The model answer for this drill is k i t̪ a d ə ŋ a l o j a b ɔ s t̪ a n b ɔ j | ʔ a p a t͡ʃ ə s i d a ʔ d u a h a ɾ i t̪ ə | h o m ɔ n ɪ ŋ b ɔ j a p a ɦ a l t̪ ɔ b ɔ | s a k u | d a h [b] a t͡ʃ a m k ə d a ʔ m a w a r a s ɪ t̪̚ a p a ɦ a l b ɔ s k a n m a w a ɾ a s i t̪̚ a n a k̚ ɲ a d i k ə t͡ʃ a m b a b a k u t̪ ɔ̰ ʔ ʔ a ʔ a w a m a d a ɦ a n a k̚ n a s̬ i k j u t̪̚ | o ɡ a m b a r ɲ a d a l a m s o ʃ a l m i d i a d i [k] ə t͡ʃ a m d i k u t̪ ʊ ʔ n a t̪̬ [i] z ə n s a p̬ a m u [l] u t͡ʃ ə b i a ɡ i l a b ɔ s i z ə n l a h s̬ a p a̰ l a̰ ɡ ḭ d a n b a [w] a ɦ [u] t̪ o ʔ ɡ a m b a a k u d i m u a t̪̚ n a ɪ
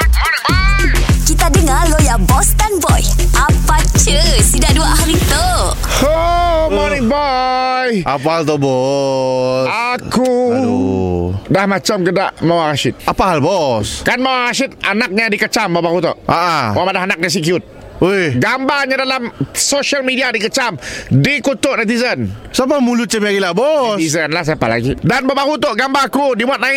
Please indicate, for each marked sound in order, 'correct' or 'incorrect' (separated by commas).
incorrect, correct, correct, correct, incorrect, correct